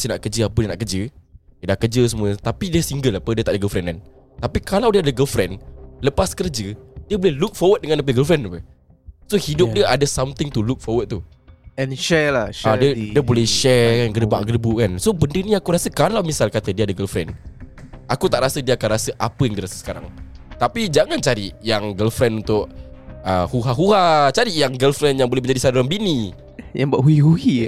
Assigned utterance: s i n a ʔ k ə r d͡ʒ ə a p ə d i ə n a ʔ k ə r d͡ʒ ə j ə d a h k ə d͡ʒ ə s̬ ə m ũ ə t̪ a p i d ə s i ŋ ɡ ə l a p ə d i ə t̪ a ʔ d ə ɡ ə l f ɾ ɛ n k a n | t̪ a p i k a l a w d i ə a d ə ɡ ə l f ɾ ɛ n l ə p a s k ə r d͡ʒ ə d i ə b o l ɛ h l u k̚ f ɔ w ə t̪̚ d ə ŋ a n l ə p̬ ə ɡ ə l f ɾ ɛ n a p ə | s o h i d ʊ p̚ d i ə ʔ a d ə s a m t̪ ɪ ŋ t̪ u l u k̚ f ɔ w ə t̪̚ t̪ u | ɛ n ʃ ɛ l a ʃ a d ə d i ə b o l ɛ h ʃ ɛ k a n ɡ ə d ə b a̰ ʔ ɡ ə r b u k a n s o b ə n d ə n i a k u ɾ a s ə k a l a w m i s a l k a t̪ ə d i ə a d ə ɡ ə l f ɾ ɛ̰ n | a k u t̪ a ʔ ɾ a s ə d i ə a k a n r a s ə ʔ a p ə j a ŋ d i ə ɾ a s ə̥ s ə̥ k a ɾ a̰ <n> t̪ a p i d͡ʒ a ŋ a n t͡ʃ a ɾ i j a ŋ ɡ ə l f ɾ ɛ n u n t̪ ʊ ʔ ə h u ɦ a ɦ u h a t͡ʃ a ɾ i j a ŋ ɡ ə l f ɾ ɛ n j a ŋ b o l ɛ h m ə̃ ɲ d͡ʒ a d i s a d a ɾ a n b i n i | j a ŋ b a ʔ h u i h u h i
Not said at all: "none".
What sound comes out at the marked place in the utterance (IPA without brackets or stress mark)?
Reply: ŋ